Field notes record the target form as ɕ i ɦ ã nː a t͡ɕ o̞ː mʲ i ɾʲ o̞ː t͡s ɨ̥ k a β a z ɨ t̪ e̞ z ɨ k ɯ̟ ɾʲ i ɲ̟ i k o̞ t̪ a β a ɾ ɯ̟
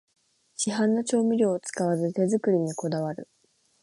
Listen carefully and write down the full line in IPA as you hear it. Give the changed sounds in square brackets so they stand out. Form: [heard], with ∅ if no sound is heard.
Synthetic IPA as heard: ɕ i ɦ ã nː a t͡ɕ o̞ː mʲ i ɾʲ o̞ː t͡s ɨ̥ k a β a z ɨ t̪ e̞ z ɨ k ɯ̟ ɾʲ i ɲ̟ i k o̞ [d̪] a β a ɾ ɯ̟